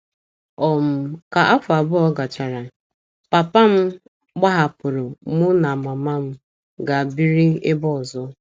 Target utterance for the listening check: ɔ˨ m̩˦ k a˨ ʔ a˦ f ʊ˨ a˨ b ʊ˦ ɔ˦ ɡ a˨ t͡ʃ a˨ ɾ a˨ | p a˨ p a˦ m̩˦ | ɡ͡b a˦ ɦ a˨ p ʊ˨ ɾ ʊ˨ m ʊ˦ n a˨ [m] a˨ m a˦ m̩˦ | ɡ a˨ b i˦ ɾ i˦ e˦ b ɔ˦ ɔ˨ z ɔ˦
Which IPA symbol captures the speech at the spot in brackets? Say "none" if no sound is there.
m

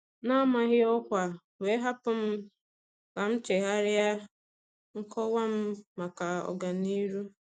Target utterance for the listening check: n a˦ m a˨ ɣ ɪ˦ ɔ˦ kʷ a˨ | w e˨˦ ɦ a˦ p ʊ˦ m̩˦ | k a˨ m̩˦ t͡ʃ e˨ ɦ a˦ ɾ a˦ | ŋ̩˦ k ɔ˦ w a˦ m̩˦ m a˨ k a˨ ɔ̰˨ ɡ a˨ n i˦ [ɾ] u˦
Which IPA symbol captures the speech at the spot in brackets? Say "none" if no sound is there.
ɾ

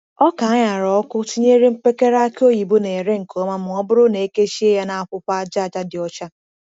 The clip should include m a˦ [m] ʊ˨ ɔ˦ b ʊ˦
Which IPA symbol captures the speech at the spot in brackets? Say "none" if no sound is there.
m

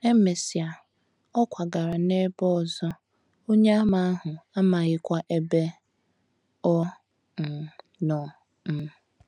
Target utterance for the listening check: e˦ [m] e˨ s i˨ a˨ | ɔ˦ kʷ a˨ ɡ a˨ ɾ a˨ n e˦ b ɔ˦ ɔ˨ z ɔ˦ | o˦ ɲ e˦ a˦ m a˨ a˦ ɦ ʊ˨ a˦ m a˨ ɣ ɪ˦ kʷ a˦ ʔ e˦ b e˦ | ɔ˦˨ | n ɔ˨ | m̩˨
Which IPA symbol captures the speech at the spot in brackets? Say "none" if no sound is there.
m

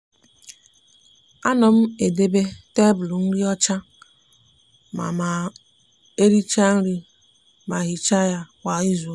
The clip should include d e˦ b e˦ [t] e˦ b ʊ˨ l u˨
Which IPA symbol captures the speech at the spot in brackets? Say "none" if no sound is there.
t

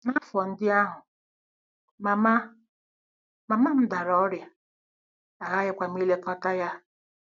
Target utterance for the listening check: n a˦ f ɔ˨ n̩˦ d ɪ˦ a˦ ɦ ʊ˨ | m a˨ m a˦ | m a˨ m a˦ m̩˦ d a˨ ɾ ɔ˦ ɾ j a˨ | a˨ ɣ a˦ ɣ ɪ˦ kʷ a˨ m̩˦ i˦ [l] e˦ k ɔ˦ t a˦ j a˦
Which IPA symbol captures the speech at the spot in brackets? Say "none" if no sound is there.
l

